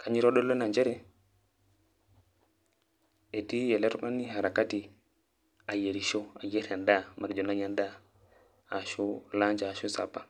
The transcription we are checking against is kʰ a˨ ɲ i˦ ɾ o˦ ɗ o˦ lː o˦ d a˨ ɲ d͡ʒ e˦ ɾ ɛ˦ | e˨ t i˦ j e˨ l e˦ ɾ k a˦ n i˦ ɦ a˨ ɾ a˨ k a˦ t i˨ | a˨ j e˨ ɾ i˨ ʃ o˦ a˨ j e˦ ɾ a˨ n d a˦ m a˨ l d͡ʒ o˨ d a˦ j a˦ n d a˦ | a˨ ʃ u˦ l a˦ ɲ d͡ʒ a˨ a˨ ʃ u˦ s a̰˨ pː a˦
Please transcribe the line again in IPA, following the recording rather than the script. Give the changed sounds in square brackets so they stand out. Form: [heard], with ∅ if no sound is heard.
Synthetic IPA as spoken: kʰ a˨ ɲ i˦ ɾ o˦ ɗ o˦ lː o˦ [n] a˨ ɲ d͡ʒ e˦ ɾ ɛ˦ | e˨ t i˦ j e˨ l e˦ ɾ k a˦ n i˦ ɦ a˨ ɾ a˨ k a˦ t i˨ | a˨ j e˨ ɾ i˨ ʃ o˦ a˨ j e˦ ɾ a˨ n d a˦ m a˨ [ɾ] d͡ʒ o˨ [n] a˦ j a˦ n d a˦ | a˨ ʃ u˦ l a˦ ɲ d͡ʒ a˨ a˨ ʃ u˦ s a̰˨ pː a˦